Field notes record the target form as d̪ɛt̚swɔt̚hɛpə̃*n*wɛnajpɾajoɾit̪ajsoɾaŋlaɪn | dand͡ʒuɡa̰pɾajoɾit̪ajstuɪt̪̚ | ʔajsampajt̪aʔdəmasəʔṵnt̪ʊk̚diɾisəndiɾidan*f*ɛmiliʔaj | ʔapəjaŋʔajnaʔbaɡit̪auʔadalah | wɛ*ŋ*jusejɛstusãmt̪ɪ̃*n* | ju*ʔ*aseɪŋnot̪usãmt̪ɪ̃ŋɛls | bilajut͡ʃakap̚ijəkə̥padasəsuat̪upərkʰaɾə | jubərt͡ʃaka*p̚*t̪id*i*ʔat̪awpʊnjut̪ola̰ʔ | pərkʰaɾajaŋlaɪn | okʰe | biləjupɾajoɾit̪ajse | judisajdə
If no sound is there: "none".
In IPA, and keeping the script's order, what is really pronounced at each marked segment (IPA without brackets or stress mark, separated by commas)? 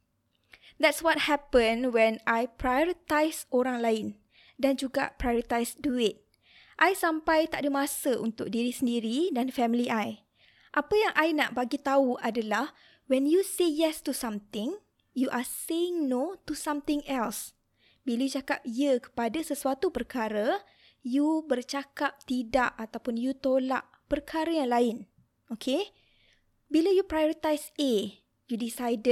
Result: n, f, n, ŋ, ʔ, p̚, a